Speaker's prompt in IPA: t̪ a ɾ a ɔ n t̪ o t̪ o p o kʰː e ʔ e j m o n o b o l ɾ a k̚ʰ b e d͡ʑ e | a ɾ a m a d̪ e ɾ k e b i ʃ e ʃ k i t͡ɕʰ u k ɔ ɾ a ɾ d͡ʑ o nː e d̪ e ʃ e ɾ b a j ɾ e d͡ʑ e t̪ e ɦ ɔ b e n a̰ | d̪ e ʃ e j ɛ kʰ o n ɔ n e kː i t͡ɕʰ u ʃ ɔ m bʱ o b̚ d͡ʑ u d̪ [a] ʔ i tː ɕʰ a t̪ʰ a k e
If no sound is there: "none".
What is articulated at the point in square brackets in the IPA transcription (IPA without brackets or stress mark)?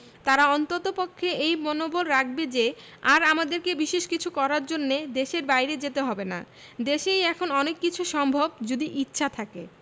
i